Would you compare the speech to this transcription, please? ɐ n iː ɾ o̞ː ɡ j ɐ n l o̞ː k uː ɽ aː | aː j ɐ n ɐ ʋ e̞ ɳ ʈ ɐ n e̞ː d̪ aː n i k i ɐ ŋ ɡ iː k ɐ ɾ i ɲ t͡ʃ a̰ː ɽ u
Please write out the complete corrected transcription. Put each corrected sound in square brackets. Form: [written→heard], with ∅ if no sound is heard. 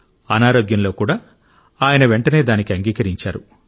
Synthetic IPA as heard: ɐ n [iː→aː] ɾ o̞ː ɡ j ɐ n l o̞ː k uː ɽ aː | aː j ɐ n ɐ ʋ e̞ ɳ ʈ ɐ n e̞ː d̪ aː n i k i ɐ ŋ ɡ iː k ɐ ɾ i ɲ t͡ʃ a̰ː [ɽ→ɾ] u